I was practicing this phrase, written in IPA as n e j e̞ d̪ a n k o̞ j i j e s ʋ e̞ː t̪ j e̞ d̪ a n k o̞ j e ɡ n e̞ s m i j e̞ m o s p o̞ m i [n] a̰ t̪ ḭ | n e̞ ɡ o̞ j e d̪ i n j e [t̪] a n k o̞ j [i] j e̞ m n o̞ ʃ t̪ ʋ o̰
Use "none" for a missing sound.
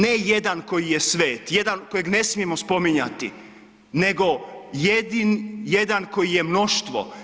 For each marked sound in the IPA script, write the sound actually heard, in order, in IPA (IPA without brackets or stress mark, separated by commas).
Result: ɲ, d̪, i